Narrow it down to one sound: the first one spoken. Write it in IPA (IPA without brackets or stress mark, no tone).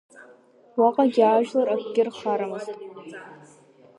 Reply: w